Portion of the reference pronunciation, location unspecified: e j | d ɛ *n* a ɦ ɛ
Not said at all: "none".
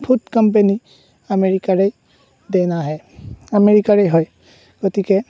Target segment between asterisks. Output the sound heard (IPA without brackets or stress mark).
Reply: n